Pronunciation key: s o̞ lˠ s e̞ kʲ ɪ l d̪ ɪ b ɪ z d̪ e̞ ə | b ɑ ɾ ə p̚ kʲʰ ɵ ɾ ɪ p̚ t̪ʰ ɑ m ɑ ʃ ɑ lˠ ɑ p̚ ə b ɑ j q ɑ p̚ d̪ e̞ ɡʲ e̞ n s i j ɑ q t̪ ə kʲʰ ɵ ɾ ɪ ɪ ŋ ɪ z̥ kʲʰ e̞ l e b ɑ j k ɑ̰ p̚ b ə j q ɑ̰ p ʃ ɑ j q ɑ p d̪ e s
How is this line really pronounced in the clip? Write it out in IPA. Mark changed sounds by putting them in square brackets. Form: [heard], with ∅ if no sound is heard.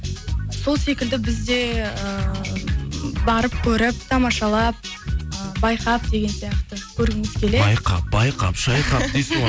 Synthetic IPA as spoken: s o̞ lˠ s e̞ kʲ ɪ l d̪ ɪ b ɪ z d̪ e̞ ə | b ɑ ɾ ə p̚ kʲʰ ɵ ɾ ɪ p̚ t̪ʰ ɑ m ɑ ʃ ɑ lˠ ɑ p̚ ə b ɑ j q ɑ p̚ d̪ e̞ ɡʲ e̞ n s i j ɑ q t̪ ə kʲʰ ɵ ɾ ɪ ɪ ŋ ɪ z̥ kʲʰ e̞ l e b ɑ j [q] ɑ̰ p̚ b [ɑ] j q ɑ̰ p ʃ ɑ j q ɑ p d̪ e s